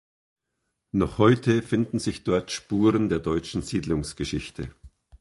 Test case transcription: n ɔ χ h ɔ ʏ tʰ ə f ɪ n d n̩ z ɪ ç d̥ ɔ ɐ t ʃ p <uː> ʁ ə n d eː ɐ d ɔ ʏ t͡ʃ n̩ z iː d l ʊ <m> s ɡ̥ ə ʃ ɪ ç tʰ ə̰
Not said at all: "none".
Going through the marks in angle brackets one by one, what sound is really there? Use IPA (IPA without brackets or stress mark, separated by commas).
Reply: uː, ŋ